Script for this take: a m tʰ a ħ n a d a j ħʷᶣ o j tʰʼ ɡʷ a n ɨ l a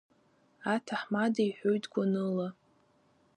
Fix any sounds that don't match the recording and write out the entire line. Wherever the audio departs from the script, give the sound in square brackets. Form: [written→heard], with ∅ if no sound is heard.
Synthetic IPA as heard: a [m→∅] tʰ a ħ [n→m] a d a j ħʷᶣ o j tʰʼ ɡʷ a n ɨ l a